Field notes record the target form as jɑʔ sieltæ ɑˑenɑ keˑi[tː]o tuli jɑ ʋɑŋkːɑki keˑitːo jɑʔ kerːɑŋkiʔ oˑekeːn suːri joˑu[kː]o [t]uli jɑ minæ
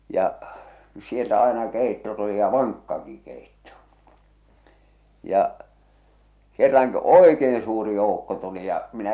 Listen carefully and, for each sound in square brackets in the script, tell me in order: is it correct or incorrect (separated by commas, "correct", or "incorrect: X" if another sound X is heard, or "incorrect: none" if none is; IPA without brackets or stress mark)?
correct, correct, correct